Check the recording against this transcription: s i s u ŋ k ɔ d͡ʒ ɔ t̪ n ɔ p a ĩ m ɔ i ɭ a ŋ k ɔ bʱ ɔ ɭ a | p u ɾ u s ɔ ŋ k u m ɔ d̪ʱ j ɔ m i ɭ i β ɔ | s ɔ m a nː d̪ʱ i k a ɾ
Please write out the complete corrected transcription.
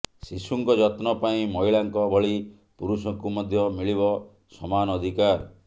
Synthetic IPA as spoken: s i s u ŋ k ɔ d͡ʒ ɔ t̪ n ɔ p a ĩ m ɔ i ɭ a ŋ k ɔ bʱ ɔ ɭ i | p u ɾ u s ɔ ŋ k u m ɔ d̪ʱ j ɔ m i ɭ i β ɔ | s ɔ m a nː d̪ʱ i k a ɾ